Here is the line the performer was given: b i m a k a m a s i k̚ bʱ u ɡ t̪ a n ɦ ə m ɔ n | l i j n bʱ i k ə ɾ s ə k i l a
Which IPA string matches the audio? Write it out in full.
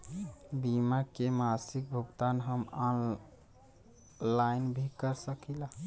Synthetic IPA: b i m a k e m a s i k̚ bʱ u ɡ t̪ a n ɦ ə m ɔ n | l a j n bʱ i k ə ɾ s ə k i l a